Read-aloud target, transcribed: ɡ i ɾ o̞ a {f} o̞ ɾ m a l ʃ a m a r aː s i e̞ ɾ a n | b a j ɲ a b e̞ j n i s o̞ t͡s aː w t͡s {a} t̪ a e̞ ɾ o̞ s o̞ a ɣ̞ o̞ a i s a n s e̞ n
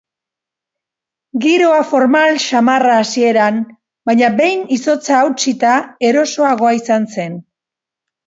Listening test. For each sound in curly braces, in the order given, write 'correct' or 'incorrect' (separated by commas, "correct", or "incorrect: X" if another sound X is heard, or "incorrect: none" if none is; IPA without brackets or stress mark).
correct, incorrect: i